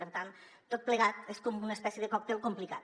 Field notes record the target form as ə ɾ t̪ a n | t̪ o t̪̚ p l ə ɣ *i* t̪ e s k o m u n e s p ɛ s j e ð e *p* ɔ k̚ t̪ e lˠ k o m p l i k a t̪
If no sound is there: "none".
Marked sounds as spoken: a, k

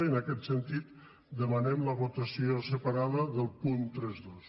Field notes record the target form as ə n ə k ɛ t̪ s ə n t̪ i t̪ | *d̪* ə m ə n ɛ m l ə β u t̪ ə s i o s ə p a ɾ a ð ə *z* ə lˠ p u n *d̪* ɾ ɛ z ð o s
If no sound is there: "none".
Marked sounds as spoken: d̪, ð, t̪

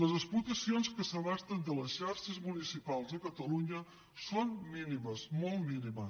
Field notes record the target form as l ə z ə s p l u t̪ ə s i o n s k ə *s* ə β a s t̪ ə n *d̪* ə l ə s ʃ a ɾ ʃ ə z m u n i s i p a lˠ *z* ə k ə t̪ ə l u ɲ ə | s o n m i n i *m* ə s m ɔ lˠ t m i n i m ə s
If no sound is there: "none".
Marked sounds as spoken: s, d̪, z, m

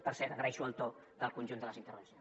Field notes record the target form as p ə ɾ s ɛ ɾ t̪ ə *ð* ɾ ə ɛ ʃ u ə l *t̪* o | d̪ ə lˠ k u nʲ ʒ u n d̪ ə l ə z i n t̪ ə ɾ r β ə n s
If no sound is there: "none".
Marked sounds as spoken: ɣ, t̪

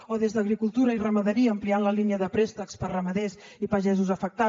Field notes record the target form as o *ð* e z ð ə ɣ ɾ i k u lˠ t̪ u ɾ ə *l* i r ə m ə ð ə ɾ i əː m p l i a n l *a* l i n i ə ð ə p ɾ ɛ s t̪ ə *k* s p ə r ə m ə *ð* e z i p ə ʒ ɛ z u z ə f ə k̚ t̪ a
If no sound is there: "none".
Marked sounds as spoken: ð, none, ə, k, ð

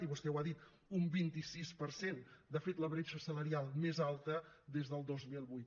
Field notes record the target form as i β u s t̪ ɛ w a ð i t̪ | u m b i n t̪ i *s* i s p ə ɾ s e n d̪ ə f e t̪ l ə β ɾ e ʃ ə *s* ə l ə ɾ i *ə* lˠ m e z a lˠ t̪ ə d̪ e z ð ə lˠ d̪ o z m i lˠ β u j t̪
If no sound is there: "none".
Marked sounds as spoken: s, s, a

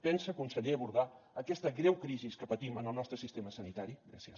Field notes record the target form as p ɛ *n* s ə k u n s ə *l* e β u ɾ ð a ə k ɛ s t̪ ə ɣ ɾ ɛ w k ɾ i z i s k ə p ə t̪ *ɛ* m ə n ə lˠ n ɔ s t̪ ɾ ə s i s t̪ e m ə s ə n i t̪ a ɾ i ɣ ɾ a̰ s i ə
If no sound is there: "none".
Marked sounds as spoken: n, ʎ, i

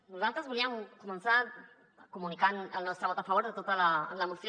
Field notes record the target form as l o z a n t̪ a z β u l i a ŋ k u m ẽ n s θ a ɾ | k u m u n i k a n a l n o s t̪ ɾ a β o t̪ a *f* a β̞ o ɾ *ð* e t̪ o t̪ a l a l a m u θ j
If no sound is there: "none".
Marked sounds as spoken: f, ð

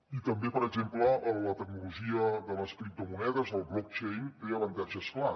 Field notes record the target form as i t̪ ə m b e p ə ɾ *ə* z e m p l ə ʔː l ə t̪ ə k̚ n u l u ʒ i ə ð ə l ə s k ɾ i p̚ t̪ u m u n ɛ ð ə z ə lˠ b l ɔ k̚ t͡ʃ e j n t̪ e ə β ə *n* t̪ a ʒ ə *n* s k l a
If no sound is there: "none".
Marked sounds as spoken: ə, n, none

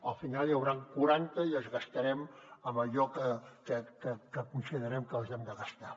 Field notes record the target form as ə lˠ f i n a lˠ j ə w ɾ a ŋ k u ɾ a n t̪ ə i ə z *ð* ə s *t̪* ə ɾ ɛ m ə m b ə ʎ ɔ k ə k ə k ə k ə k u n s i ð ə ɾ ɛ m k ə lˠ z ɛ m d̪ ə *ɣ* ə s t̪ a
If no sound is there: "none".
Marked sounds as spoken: ɣ, t̪, ɣ

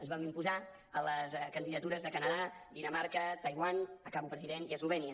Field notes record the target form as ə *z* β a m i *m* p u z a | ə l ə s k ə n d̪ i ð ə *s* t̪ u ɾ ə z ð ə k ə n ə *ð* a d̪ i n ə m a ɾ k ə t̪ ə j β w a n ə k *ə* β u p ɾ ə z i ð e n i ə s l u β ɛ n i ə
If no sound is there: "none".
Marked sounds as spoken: z, m, none, ð, a

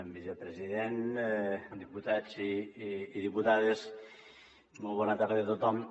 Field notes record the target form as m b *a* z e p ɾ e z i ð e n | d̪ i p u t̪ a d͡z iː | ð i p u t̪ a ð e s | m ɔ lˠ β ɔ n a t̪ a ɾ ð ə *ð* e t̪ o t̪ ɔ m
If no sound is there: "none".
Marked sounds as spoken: i, ð

